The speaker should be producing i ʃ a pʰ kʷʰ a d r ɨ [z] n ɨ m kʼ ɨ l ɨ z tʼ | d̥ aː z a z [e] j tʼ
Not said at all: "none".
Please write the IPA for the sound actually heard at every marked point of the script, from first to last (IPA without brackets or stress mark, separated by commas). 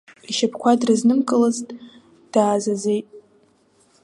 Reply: z, e